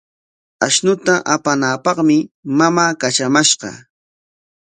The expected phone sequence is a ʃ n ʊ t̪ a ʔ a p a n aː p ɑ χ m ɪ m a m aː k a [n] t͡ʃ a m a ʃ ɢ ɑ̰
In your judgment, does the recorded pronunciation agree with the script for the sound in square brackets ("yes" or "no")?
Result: no